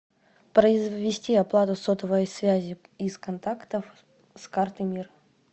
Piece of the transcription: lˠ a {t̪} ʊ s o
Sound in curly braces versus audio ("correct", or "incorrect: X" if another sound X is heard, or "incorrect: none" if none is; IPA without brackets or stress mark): correct